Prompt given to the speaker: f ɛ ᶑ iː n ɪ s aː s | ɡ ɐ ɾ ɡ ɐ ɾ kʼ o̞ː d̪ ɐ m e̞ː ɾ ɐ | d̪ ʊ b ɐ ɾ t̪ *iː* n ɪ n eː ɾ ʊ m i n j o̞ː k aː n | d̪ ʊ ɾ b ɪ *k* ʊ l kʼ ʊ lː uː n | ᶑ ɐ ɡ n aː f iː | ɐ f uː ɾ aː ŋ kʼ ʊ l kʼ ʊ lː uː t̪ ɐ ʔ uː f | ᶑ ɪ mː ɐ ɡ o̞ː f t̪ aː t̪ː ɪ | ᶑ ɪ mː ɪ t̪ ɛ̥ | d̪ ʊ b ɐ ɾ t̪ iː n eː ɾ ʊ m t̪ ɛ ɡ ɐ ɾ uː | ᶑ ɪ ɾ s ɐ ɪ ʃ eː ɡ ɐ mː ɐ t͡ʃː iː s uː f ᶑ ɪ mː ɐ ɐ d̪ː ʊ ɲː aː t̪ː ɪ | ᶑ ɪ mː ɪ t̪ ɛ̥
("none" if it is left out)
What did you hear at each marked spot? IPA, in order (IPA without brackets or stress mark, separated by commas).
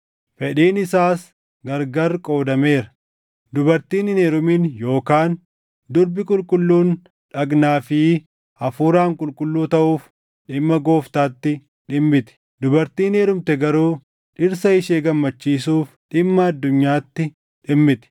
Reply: iː, kʼ